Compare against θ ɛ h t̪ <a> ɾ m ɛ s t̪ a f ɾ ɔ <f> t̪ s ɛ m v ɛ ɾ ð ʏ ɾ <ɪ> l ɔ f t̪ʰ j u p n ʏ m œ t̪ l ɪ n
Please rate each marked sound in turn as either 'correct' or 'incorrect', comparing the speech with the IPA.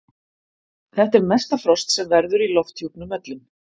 incorrect: ɛ, incorrect: s, incorrect: i

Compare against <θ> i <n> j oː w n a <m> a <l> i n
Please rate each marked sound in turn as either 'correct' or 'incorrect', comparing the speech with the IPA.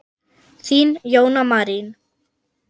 correct, correct, correct, incorrect: ɾ

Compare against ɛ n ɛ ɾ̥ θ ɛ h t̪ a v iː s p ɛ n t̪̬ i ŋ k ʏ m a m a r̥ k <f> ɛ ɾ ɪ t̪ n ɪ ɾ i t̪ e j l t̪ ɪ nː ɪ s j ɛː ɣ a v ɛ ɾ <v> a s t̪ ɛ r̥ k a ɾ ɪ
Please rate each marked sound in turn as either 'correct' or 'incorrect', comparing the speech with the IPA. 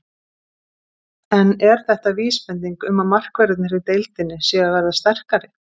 incorrect: v, incorrect: ð

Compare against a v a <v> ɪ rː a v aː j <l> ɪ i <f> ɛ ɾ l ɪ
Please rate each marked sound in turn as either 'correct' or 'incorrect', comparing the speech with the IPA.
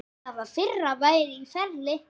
incorrect: f, incorrect: ɾ, correct

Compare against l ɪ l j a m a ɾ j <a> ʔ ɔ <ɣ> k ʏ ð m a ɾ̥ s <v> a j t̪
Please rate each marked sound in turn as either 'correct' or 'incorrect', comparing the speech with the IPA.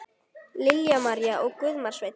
correct, correct, correct

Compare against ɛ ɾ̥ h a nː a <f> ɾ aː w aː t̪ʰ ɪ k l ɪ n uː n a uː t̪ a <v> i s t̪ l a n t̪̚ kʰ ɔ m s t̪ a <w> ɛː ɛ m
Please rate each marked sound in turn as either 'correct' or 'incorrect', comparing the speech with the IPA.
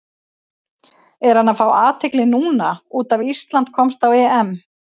correct, correct, correct

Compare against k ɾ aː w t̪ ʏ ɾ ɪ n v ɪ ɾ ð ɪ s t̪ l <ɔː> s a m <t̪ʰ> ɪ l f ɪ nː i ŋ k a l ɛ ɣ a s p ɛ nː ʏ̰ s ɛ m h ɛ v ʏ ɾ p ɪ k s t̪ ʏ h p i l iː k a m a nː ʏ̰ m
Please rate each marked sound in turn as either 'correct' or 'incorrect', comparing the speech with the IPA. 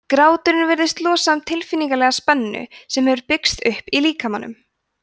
correct, correct

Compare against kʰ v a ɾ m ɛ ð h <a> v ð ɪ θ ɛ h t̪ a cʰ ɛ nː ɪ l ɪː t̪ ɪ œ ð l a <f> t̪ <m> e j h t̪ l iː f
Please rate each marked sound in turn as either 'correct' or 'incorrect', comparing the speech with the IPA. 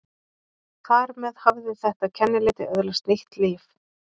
correct, incorrect: s, incorrect: n

